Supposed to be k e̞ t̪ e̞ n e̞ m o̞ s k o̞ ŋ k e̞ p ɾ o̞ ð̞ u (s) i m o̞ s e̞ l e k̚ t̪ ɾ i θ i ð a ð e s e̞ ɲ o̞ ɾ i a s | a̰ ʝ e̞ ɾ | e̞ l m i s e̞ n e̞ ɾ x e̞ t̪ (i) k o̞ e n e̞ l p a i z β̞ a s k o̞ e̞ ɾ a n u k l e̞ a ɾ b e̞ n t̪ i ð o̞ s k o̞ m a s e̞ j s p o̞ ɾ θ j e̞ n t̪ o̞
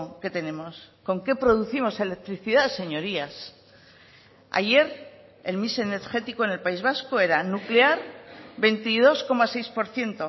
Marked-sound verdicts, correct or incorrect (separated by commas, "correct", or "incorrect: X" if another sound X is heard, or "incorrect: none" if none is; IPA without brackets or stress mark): incorrect: θ, correct